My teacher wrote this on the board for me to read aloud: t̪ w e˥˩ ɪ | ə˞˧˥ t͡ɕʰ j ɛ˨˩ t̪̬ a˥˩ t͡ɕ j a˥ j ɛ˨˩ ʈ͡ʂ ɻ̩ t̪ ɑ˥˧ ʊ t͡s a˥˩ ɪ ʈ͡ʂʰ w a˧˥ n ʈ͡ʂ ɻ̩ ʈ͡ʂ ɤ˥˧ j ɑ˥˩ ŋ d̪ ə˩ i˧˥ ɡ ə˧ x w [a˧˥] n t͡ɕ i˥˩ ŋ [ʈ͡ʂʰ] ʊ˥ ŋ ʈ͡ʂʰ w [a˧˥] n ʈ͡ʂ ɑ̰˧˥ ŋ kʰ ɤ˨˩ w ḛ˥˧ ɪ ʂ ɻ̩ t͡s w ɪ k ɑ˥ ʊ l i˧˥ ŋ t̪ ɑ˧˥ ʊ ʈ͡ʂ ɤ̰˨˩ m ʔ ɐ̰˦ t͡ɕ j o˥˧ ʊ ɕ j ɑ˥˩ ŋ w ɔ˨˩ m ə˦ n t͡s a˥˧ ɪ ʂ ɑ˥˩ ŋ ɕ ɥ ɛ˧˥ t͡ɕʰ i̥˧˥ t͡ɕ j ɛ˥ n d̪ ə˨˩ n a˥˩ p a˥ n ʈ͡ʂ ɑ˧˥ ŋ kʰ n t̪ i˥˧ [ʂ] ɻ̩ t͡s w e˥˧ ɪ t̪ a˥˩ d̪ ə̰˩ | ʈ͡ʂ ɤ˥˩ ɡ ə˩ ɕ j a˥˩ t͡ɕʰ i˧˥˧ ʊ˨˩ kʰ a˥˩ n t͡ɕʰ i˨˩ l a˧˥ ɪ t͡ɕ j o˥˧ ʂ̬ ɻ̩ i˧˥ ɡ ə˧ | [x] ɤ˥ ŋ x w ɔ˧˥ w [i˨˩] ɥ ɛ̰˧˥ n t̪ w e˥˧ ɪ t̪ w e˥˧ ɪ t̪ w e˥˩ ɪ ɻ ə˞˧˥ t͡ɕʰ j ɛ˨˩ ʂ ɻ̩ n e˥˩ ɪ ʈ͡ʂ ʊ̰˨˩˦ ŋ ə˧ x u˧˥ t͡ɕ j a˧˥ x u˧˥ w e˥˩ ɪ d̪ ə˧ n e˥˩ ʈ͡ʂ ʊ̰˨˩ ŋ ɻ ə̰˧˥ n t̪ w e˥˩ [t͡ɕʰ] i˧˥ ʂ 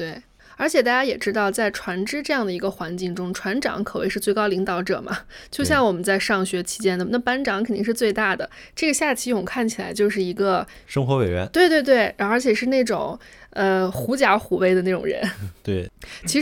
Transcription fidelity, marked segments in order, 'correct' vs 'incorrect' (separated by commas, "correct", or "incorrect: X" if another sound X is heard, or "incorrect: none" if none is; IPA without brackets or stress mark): correct, incorrect: ʈ͡ʂ, correct, correct, incorrect: ʂ, incorrect: e˨˩, correct